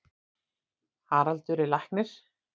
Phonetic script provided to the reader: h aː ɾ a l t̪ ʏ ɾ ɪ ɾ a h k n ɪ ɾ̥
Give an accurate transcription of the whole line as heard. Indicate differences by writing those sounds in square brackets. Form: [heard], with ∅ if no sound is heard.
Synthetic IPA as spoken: h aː ɾ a l t̪ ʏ ɾ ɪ [l] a h k n ɪ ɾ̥